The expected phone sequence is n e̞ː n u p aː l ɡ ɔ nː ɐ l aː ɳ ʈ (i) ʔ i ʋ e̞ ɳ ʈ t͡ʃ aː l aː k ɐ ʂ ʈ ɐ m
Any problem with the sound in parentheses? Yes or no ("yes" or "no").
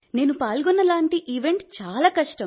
no